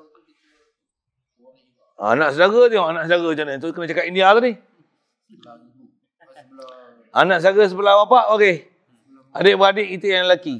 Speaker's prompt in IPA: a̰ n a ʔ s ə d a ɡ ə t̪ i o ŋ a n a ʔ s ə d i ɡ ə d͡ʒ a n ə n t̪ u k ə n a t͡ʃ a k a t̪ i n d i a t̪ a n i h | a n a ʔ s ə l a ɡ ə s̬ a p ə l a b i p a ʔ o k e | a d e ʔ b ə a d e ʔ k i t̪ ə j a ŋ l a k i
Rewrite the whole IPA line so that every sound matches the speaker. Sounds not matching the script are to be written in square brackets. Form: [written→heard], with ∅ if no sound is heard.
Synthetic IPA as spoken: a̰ n a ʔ s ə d a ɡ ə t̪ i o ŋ a n a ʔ s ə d [i→a] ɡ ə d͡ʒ a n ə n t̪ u k ə n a t͡ʃ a k a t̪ i n d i a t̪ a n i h | a n a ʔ s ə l a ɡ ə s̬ [a→ə] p ə l a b [i→a] p a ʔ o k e | a d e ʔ b ə a d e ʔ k i t̪ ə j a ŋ l a k i

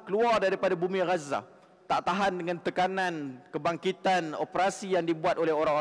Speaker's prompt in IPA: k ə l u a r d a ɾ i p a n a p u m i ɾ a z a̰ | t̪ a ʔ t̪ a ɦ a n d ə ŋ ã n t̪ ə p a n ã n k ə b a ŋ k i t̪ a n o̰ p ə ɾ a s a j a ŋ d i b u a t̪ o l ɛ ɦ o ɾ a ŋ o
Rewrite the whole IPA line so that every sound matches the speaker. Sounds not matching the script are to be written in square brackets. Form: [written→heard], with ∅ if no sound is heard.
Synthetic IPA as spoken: k ə l u a r d a ɾ i p a [n→d] a [p→b] u m i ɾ a z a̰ | t̪ a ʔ t̪ a ɦ a n d ə ŋ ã n t̪ ə [p→k] a n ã n k ə b a ŋ k i t̪ a n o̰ p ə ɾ a s [a→i] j a ŋ d i b u a t̪ o l ɛ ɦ o ɾ a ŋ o

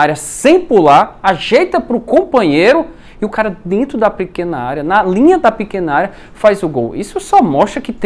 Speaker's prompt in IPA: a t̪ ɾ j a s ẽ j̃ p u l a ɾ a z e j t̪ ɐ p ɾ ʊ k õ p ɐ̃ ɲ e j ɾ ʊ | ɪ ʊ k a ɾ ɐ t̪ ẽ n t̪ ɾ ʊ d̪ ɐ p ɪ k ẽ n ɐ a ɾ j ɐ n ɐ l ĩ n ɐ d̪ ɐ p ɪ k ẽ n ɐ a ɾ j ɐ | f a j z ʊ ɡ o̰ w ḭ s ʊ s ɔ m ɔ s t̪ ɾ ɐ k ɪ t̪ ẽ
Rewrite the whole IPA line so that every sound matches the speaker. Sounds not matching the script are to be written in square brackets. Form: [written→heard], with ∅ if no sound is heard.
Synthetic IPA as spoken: a [t̪→∅] ɾ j [a→ɐ] s ẽ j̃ p u l a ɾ a [z→ʒ] e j t̪ ɐ p ɾ ʊ k õ p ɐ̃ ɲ e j ɾ ʊ | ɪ ʊ k a ɾ ɐ [t̪→d̪] ẽ n t̪ ɾ ʊ d̪ ɐ p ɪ k ẽ n ɐ a ɾ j ɐ n ɐ l ĩ [n→ɲ] ɐ d̪ ɐ p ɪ k ẽ n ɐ a ɾ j ɐ | f a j z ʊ ɡ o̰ w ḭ s ʊ s ɔ m ɔ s t̪ ɾ ɐ k ɪ t̪ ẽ

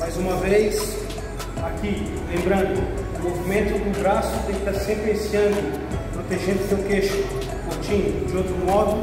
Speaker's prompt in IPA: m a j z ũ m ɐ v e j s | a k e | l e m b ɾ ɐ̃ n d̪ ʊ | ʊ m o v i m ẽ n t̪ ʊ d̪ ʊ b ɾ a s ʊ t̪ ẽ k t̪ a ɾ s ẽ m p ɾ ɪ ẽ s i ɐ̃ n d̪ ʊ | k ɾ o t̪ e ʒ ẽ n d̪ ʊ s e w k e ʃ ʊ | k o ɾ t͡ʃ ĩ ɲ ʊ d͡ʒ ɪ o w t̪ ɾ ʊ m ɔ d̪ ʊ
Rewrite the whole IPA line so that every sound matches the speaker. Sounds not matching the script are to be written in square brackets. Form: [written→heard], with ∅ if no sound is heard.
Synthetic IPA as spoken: m a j z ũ m ɐ v e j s | a k [e→i] | l [e→ẽ] m b ɾ ɐ̃ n d̪ ʊ | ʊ m o v i m ẽ n t̪ ʊ d̪ ʊ b ɾ a s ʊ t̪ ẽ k t̪ a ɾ s ẽ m p ɾ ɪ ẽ s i ɐ̃ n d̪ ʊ | [k→p] ɾ o t̪ e ʒ ẽ n d̪ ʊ s e w k e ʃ ʊ | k o ɾ t͡ʃ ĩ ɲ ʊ d͡ʒ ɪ o w t̪ ɾ ʊ m ɔ d̪ ʊ

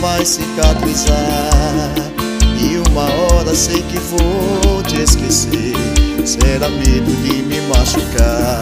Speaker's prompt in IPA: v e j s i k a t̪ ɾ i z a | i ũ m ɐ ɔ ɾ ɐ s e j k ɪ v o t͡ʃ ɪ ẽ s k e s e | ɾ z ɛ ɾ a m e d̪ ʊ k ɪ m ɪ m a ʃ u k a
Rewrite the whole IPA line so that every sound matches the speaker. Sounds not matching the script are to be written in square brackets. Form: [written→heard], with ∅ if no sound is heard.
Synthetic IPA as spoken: v [e→a] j s i k a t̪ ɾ i z a | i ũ m ɐ ɔ ɾ ɐ s e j k ɪ v o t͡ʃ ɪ [ẽ→e] s k e s e | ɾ [z→s] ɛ ɾ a m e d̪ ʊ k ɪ m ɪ m a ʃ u k a

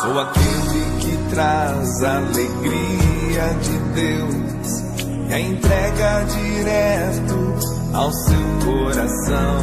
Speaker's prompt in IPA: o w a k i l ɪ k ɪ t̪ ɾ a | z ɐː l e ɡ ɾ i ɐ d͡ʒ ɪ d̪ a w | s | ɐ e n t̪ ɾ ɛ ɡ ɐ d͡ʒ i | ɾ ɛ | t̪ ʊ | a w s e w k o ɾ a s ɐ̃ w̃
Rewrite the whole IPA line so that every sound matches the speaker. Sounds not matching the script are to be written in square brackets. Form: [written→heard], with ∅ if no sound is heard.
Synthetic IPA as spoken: o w a k [i→e] l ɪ k ɪ t̪ ɾ a | z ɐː l e ɡ ɾ i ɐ d͡ʒ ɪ d̪ [a→e] w | s | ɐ [e→ẽ] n t̪ ɾ ɛ ɡ ɐ d͡ʒ i | ɾ ɛ | t̪ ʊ | a w s e w k o ɾ a s ɐ̃ w̃

